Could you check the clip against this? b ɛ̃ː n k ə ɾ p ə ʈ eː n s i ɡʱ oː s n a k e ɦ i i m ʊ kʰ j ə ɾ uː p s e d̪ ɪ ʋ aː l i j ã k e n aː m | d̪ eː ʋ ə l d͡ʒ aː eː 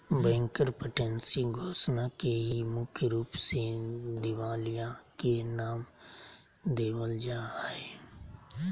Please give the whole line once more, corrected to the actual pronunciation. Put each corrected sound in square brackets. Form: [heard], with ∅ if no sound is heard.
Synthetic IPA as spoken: b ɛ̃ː [ŋ] k ə ɾ p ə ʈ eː n s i ɡʱ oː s n a k e ɦ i i m ʊ kʰ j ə ɾ uː p s e d̪ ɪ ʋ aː l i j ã k e n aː m | d̪ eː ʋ ə l d͡ʒ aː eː